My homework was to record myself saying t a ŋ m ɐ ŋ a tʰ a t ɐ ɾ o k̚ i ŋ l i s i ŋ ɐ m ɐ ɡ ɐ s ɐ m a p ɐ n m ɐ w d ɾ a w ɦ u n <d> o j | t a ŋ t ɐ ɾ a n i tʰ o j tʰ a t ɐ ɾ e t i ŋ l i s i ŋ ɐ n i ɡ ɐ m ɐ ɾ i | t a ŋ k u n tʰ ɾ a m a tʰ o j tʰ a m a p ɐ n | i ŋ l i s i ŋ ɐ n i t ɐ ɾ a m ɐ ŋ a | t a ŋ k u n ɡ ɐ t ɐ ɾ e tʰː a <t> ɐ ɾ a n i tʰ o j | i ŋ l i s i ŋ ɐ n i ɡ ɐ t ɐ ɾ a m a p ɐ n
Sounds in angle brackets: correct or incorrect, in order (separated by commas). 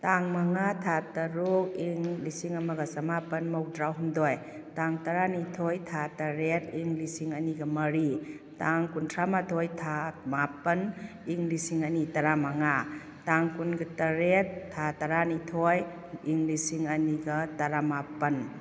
correct, correct